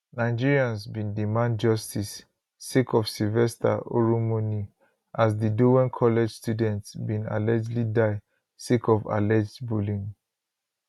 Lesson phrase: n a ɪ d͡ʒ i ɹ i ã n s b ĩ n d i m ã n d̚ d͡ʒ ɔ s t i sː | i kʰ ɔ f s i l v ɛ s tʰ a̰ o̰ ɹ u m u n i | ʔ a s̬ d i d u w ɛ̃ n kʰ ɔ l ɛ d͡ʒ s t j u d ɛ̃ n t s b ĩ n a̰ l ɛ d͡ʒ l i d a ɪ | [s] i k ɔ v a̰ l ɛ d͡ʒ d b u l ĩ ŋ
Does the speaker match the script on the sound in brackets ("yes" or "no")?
yes